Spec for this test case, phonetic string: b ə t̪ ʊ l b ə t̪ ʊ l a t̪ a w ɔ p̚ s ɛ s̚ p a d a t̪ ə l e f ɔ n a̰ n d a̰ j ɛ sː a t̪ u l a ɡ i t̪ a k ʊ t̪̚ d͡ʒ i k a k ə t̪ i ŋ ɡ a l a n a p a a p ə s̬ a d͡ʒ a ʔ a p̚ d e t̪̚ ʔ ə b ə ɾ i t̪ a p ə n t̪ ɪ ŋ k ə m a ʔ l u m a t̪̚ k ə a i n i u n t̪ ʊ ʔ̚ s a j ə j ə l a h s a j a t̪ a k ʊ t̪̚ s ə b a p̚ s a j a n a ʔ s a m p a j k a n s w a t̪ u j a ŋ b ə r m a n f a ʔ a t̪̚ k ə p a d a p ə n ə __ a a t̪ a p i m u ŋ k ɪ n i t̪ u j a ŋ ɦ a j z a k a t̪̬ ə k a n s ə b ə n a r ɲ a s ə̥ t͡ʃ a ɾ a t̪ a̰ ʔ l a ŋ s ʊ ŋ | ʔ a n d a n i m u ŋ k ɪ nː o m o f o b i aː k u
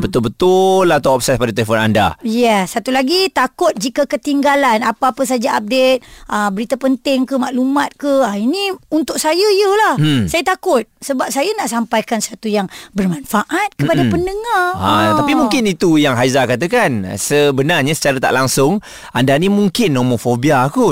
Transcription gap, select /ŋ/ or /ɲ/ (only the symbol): ŋ